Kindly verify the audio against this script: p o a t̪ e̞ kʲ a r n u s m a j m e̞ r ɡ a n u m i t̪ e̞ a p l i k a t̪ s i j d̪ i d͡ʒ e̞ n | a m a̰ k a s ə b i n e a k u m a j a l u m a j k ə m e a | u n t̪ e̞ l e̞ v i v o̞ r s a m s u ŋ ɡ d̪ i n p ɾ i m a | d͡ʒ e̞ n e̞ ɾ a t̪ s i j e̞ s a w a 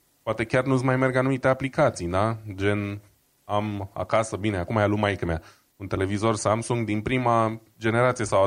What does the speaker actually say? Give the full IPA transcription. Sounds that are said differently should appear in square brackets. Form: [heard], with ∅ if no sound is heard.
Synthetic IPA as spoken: p o a t̪ e̞ kʲ a r n u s m a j m e̞ r ɡ a n u m i t̪ e̞ a p l i k a t̪ s i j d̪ [a] d͡ʒ e̞ n | a m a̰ k a s ə b i n e a k u m a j a l u m a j k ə m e a | u n t̪ e̞ l e̞ v i [z] o̞ r s a m s u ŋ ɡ d̪ i n p ɾ i m a | d͡ʒ e̞ n e̞ ɾ a t̪ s i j e̞ s a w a